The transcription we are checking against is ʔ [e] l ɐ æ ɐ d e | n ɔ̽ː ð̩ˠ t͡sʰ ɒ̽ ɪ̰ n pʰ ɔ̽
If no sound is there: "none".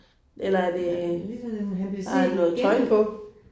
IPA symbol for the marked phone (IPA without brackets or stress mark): e